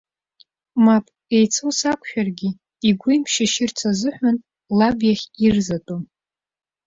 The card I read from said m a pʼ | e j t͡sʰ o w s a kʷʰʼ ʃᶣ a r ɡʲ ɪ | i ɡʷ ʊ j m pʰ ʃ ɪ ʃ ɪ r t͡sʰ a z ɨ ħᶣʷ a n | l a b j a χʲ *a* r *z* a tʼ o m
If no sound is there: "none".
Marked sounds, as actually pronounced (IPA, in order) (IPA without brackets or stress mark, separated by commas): i, z